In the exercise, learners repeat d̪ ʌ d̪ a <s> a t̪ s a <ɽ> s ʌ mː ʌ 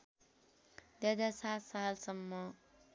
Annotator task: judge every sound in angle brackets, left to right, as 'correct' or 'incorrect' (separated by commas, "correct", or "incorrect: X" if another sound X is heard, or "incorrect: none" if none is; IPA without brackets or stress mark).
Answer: correct, incorrect: l